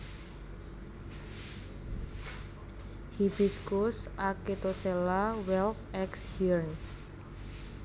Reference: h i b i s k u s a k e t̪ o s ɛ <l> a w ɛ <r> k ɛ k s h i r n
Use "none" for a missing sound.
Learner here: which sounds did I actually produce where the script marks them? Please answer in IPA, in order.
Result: l, l

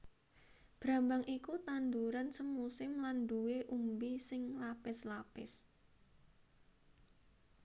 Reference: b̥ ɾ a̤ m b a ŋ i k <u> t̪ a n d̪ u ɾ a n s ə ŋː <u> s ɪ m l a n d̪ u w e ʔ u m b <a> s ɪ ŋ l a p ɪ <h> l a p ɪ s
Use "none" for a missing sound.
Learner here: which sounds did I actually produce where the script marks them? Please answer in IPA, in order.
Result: u, u, i, s

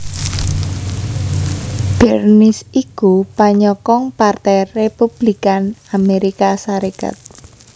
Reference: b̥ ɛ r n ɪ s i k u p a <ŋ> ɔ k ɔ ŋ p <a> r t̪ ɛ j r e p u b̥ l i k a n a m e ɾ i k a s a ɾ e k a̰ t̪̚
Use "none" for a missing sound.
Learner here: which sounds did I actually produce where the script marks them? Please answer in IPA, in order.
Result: ɲ, a

